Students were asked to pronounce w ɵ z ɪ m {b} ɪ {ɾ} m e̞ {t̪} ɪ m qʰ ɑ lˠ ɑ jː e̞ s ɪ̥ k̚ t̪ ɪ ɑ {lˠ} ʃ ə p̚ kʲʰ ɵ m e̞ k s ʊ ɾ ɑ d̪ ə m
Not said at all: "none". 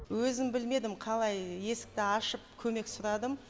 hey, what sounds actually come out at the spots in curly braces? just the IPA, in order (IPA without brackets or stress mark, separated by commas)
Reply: b, l, d̪, none